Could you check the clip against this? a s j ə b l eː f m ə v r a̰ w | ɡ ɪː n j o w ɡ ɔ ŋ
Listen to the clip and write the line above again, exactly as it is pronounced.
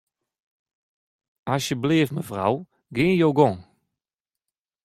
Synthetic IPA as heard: a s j ə b l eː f m ə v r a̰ w | ɡ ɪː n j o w ɡ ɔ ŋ